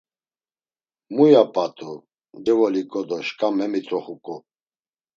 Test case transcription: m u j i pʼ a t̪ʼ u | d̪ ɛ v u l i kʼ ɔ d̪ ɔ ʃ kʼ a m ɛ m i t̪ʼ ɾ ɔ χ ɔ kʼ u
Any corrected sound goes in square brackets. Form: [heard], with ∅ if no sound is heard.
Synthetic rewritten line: m u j [a] pʼ a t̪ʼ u | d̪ ɛ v [ɔ] l i kʼ ɔ d̪ ɔ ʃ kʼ a m ɛ m i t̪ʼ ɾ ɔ χ [u] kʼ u